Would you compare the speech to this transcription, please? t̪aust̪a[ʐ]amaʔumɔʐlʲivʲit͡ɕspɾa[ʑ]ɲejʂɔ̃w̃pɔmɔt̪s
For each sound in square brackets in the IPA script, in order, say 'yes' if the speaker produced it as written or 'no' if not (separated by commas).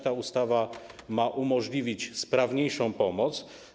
no, no